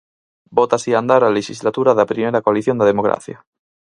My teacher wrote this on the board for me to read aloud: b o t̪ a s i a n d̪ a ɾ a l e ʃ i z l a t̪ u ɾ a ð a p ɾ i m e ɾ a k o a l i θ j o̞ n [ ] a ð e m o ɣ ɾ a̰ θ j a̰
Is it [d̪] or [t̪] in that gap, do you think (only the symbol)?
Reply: d̪